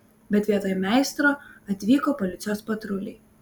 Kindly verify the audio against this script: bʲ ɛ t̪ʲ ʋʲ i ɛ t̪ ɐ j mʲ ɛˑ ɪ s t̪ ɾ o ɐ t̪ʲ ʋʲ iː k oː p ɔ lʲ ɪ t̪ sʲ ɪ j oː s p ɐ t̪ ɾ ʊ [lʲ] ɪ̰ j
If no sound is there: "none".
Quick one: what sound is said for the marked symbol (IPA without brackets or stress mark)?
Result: lʲ